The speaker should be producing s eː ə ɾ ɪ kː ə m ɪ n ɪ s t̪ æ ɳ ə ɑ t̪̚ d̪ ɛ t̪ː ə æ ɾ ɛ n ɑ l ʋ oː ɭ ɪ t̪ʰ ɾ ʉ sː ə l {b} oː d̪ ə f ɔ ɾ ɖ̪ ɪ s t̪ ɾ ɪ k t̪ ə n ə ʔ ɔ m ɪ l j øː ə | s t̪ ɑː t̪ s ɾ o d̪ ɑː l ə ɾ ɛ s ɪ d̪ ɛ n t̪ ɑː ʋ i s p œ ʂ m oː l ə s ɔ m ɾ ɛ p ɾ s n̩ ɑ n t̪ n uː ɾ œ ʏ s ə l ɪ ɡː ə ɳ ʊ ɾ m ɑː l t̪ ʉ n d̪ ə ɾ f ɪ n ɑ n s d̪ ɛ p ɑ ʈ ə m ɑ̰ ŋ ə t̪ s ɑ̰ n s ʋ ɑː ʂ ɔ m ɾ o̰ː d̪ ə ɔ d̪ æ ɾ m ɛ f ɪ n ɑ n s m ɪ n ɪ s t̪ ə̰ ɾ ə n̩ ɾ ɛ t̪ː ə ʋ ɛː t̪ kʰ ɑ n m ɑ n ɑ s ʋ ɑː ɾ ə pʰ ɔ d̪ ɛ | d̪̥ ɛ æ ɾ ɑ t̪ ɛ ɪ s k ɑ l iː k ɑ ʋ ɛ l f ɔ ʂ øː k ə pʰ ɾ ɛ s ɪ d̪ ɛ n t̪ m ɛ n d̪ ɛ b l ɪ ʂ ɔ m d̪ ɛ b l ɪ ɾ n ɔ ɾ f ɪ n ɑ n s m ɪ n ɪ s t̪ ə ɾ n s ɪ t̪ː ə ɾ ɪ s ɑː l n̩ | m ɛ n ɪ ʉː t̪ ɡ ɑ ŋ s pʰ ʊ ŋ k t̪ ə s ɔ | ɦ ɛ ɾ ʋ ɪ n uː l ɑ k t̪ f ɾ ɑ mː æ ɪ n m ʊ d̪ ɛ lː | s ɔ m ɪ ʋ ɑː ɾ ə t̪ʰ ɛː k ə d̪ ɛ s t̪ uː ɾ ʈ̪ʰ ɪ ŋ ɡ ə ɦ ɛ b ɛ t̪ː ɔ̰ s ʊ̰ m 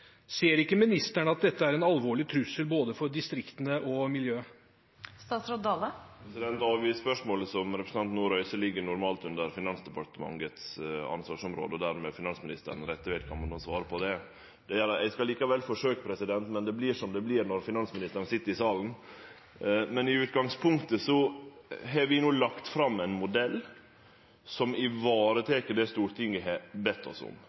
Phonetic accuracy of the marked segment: correct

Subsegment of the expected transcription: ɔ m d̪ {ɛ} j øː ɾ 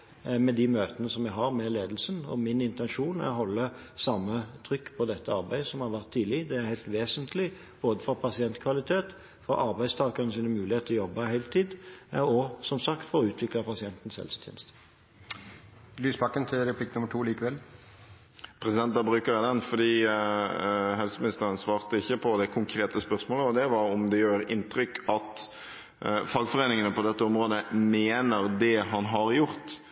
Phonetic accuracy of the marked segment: correct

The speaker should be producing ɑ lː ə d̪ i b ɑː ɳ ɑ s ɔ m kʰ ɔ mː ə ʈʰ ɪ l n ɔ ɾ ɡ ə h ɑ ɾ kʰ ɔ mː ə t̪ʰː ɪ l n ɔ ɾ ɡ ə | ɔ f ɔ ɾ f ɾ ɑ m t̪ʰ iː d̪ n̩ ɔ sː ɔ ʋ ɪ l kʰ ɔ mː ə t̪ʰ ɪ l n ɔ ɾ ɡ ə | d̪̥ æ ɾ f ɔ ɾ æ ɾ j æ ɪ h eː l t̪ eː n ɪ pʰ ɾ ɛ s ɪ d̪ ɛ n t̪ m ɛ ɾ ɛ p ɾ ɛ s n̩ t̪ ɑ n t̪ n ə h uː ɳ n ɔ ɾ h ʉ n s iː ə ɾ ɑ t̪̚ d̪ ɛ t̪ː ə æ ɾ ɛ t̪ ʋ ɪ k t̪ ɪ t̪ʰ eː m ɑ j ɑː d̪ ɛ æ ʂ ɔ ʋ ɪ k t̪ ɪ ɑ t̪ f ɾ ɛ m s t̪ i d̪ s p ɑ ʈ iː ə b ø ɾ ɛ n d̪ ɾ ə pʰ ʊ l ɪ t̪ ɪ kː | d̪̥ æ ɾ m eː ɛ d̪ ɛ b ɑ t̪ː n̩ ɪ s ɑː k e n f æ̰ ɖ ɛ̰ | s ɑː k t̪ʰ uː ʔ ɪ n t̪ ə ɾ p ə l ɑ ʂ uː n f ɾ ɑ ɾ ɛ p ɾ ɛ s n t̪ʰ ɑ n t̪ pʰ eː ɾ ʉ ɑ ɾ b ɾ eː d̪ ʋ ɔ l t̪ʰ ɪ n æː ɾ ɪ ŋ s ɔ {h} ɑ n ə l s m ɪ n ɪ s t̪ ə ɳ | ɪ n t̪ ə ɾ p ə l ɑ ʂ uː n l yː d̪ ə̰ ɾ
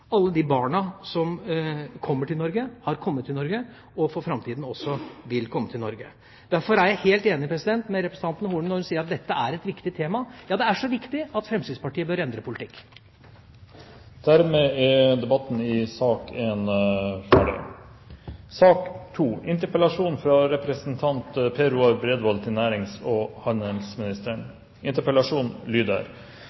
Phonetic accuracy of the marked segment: correct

